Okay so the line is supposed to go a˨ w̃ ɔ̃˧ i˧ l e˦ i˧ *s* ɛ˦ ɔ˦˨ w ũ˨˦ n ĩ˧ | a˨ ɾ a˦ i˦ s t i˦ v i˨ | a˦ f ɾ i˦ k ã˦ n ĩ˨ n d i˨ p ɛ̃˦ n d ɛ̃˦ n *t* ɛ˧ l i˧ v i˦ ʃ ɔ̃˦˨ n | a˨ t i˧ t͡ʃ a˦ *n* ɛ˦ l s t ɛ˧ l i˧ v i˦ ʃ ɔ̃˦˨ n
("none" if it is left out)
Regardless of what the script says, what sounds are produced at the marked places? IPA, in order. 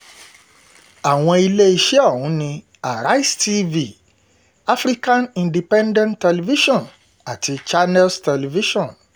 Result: ʃ, t, n

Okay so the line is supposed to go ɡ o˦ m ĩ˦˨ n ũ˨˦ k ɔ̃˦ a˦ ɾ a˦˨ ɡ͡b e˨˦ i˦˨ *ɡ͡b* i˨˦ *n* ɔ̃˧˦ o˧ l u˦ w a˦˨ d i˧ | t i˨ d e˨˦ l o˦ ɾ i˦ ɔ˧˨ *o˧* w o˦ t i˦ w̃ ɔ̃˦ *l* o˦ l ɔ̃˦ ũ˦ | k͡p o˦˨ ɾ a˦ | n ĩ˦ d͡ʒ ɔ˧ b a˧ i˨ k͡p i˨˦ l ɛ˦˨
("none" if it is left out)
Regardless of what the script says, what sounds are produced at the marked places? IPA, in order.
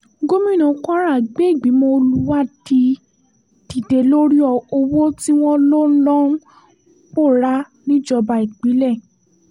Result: ɡ͡b, m, o˧, l

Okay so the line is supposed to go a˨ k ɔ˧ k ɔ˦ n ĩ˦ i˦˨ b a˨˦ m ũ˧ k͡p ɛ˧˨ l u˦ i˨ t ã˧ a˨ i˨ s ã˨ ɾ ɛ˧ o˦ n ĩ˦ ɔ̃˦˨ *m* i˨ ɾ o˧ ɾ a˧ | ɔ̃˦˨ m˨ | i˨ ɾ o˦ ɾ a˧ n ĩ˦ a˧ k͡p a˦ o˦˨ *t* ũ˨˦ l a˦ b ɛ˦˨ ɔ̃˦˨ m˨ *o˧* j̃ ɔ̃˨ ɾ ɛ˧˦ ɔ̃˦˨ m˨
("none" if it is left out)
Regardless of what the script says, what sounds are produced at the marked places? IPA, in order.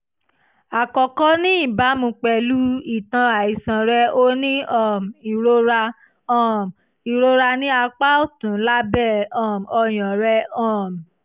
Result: m, t, ɔ˧

